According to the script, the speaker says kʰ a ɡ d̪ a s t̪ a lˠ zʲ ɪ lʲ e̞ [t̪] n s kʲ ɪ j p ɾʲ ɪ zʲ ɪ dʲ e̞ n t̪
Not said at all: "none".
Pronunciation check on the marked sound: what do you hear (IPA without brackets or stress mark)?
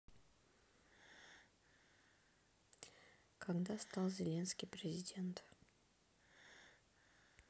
none